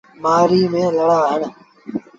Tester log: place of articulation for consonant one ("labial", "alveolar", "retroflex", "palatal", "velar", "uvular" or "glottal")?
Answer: labial